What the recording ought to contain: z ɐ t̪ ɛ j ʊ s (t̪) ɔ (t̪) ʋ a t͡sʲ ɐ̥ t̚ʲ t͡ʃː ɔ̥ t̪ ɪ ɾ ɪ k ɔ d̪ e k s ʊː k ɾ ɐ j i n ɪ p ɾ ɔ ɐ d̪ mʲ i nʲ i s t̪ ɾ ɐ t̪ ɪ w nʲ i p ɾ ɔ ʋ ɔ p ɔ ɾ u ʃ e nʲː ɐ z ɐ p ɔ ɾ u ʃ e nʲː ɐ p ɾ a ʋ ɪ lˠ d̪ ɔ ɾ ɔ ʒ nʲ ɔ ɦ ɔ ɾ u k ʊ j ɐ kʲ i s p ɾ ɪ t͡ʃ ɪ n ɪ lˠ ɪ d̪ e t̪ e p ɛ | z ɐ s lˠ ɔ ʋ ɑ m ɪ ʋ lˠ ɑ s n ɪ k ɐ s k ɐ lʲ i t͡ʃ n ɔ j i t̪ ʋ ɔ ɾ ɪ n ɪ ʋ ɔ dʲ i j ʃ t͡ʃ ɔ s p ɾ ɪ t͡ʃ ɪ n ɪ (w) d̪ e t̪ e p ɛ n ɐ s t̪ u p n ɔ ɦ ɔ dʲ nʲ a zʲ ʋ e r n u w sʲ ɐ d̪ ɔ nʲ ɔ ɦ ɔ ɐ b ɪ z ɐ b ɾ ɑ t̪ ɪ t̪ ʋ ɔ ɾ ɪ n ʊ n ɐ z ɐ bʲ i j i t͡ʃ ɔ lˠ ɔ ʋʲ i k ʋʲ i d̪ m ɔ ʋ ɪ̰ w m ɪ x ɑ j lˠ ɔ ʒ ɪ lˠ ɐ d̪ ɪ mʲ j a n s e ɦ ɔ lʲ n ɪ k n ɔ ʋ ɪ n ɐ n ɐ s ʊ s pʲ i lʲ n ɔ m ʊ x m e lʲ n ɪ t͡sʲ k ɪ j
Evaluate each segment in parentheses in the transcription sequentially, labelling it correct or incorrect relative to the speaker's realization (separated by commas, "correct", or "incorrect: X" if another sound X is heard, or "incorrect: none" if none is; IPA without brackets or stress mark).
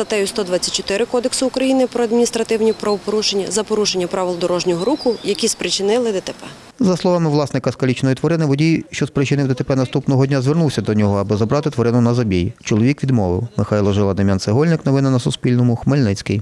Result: correct, incorrect: d̪, correct